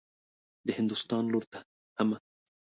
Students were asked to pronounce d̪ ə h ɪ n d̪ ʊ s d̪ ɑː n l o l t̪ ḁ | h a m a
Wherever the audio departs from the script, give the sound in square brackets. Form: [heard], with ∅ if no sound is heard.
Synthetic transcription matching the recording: d̪ ə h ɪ n d̪ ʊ s [t̪] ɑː n l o [ɾ] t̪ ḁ | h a m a